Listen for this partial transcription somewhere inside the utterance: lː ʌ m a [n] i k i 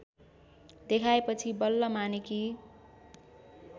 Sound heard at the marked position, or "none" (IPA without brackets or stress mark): n